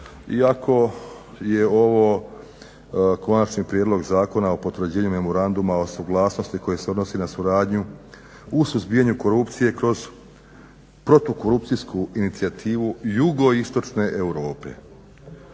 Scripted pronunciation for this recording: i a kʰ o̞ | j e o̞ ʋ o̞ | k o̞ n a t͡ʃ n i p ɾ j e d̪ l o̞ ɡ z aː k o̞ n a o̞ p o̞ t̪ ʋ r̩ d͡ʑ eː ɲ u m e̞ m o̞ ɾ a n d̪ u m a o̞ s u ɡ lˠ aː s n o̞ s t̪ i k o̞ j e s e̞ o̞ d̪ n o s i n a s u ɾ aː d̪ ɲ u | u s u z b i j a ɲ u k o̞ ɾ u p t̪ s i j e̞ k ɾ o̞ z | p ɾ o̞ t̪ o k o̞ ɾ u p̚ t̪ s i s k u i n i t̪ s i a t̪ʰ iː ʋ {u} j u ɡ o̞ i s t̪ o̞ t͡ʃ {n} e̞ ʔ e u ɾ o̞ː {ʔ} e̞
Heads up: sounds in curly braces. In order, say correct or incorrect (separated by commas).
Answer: correct, correct, incorrect